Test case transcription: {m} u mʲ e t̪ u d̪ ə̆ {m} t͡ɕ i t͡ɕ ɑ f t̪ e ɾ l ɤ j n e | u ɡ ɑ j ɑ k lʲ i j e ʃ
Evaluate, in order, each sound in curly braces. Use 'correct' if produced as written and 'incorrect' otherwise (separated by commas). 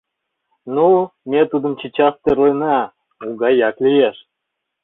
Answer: incorrect, correct